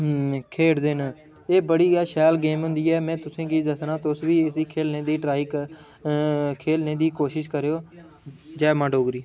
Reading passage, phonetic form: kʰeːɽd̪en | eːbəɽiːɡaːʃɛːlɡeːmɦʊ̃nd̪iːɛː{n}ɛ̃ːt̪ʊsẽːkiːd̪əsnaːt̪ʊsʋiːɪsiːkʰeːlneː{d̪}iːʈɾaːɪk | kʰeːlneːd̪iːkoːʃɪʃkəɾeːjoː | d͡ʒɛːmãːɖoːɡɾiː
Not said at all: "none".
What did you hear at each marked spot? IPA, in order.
m, d̪

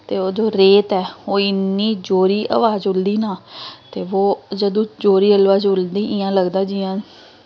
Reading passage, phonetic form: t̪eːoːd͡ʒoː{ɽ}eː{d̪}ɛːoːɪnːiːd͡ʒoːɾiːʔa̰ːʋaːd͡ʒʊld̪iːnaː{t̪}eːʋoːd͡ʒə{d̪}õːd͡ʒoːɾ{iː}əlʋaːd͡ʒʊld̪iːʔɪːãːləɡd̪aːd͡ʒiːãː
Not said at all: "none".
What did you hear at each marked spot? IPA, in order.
ɾ, t̪, t̪, d̪, iː

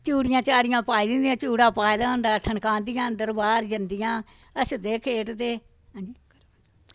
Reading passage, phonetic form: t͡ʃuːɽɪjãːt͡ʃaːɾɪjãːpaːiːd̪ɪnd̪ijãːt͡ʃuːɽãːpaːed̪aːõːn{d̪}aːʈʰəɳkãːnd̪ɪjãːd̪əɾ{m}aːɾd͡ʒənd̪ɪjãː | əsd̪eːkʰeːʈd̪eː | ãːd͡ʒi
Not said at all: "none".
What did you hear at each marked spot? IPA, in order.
d̪, b

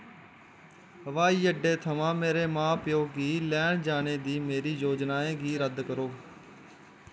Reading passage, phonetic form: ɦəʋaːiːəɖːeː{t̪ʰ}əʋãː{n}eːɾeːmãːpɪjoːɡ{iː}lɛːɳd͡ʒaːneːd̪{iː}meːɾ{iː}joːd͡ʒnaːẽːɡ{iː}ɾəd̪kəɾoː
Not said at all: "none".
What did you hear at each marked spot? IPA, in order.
t̪ʰ, m, iː, iː, iː, iː

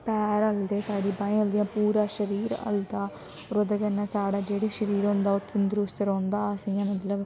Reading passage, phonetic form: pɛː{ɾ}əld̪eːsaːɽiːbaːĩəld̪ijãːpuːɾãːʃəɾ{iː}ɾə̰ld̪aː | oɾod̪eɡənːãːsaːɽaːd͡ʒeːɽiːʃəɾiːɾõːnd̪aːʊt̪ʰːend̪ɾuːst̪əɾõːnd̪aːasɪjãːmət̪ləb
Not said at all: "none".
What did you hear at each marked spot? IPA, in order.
ɾ, iː

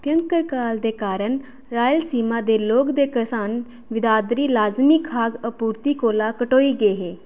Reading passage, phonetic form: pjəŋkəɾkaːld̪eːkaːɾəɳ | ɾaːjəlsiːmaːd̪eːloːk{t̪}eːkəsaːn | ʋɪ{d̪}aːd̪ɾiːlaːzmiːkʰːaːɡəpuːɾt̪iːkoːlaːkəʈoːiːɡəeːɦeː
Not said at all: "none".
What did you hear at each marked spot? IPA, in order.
d̪, d̪

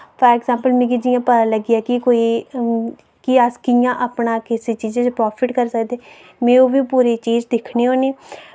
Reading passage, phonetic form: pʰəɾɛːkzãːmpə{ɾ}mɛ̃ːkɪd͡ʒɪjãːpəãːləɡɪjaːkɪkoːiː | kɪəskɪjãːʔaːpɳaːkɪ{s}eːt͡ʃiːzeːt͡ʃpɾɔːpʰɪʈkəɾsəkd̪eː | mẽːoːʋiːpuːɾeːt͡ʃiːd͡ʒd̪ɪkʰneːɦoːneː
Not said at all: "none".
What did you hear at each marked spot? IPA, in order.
l, s

